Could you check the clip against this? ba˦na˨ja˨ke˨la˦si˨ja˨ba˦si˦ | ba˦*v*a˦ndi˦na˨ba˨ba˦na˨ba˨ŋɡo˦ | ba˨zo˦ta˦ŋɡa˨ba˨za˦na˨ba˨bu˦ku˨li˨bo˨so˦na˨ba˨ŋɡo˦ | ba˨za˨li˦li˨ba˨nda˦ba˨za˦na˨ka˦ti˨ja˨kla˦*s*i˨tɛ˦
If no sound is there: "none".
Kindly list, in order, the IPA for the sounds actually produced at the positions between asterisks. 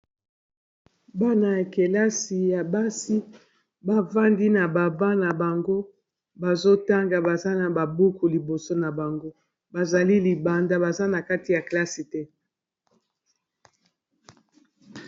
v, s

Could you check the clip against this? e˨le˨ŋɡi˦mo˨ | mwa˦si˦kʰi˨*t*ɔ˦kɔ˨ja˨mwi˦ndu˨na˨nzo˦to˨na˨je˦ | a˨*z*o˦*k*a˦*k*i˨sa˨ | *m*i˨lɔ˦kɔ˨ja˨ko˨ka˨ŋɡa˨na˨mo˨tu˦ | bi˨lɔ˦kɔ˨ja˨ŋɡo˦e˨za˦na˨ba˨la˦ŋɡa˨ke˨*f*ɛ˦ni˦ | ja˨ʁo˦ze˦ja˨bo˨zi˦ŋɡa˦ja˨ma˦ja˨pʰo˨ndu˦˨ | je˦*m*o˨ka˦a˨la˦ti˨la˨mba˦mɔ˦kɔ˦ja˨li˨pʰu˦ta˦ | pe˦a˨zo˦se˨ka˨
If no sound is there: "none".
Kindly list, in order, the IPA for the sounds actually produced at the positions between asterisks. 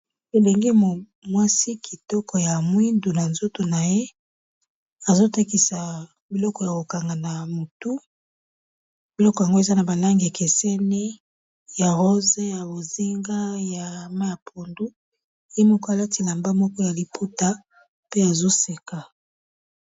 t, z, t, k, b, s, m

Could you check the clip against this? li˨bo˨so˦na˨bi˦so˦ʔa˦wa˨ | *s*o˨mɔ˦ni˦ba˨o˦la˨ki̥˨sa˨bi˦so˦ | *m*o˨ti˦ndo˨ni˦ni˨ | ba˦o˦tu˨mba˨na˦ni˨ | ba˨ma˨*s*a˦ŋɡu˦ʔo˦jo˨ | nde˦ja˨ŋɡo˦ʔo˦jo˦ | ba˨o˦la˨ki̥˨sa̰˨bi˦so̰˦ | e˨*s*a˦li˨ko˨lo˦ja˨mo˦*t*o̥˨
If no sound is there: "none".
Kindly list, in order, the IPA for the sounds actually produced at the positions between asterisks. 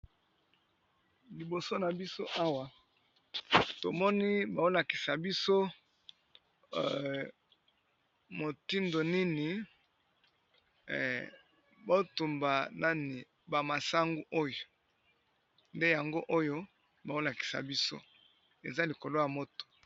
t, m, s, z, t

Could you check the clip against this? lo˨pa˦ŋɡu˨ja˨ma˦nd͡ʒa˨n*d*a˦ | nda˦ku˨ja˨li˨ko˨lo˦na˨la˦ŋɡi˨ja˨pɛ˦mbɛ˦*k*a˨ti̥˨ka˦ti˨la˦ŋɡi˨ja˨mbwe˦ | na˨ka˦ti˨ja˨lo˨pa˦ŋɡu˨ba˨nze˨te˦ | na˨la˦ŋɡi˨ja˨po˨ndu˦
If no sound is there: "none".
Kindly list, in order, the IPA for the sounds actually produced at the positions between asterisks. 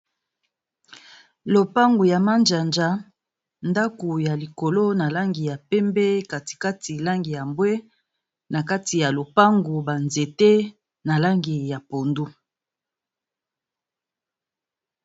d͡ʒ, k

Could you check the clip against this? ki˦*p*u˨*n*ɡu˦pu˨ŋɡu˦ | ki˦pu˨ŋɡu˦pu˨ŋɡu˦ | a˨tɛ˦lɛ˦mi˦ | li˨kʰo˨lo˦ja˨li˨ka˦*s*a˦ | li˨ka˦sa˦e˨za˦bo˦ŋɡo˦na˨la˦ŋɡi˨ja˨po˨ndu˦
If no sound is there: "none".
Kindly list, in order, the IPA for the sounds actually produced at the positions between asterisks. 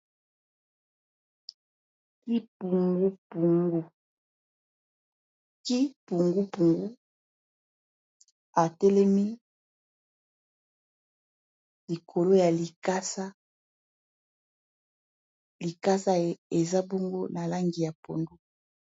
p, ŋ, s

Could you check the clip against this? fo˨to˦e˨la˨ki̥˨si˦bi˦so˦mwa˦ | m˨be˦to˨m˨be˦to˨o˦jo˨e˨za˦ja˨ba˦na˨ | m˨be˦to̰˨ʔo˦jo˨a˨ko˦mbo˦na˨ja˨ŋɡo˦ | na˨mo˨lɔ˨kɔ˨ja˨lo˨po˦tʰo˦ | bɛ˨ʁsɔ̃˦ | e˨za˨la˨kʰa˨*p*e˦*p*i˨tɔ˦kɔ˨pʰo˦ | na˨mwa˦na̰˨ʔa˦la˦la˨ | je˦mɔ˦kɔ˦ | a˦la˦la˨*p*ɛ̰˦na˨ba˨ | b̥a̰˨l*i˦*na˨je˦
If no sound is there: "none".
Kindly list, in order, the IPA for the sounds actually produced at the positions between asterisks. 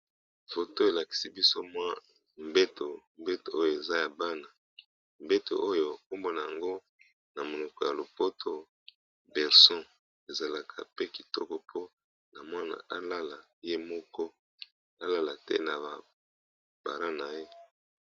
p, k, t, a˦

